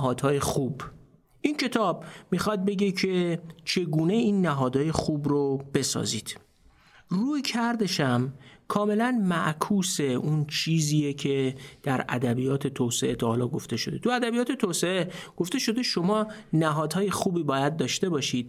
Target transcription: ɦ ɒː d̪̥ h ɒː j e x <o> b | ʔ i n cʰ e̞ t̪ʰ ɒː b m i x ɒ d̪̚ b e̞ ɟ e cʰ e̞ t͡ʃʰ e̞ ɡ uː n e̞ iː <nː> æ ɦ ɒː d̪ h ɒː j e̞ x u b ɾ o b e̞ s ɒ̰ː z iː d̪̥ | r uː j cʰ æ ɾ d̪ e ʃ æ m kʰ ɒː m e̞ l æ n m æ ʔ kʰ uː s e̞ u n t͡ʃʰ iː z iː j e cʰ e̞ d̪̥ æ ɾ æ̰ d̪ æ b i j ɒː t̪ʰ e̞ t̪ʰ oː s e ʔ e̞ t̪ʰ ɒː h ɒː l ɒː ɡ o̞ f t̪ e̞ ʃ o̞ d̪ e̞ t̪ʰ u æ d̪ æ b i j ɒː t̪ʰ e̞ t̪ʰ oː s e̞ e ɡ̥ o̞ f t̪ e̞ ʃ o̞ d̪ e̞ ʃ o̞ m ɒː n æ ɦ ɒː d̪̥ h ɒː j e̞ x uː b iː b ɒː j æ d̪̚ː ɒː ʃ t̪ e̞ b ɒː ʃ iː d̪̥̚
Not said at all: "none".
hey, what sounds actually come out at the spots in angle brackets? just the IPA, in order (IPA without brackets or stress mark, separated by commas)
u, nː